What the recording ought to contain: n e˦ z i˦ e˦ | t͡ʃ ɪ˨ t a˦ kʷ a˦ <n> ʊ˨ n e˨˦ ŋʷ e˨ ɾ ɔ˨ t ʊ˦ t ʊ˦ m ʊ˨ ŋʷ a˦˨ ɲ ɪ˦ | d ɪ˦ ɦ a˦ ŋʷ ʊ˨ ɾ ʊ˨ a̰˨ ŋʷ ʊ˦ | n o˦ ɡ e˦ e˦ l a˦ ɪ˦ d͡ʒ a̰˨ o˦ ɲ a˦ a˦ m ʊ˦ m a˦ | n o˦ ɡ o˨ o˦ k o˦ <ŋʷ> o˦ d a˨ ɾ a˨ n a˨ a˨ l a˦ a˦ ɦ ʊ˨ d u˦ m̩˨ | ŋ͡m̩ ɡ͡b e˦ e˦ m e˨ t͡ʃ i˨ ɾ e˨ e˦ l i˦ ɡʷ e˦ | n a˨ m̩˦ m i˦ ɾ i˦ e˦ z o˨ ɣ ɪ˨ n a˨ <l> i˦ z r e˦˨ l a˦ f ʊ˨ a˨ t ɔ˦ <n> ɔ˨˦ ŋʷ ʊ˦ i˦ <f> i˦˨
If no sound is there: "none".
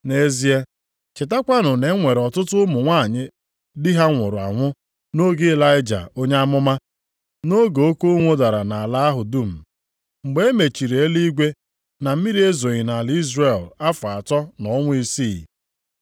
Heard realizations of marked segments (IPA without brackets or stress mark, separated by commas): n, ŋʷ, l, n, s